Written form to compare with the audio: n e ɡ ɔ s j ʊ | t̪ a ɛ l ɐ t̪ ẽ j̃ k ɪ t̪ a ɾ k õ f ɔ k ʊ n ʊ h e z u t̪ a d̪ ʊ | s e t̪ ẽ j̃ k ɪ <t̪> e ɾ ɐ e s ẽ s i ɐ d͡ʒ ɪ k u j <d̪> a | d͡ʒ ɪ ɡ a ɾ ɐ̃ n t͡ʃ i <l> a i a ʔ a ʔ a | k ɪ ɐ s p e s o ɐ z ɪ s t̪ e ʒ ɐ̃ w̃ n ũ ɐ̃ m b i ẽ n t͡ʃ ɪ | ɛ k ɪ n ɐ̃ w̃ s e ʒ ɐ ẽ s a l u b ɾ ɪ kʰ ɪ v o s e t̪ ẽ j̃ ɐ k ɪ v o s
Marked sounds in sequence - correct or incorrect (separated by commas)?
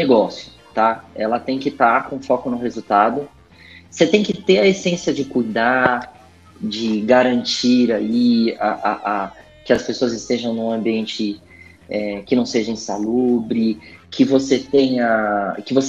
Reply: correct, correct, incorrect